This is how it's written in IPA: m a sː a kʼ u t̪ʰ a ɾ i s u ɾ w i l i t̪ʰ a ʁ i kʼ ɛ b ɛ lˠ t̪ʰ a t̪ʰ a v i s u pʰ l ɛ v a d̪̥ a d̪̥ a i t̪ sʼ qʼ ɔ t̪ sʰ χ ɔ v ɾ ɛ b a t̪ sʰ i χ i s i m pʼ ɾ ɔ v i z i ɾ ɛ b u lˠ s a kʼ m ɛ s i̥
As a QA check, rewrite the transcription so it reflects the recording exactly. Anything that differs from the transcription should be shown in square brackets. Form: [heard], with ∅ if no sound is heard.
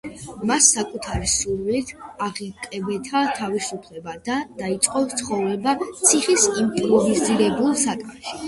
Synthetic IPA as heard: m a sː a kʼ u t̪ʰ a ɾ i s u ɾ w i l i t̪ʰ a ʁ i kʼ ɛ b ɛ [∅] t̪ʰ a t̪ʰ a v i s u pʰ l ɛ [b] a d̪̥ a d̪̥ a i t̪ sʼ qʼ ɔ t̪ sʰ χ ɔ v ɾ ɛ b a t̪ sʰ i χ i s i m pʼ ɾ ɔ v i z i ɾ ɛ b u lˠ s a kʼ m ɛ [ʃ] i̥